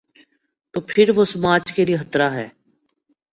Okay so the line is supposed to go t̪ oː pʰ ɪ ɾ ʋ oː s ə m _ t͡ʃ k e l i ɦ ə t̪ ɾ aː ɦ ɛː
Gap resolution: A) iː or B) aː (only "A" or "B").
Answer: B